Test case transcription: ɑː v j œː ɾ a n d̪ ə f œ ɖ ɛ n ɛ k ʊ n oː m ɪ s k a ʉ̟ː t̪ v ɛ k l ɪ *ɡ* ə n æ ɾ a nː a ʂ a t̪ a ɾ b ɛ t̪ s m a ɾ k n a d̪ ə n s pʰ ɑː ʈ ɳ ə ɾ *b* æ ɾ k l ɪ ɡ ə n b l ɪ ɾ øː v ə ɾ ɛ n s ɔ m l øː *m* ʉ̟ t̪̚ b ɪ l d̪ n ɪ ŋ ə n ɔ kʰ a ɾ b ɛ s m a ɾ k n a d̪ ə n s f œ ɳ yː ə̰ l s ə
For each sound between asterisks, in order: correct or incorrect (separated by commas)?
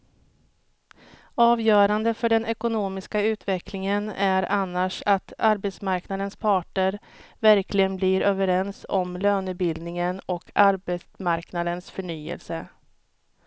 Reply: incorrect, incorrect, incorrect